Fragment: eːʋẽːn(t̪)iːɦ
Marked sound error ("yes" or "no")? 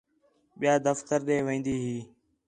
yes